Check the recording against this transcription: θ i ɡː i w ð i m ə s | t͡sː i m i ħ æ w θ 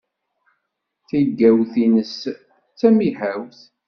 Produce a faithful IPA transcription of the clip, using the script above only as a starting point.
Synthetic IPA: θ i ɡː æ w θ i n ə s | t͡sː æ m i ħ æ w θ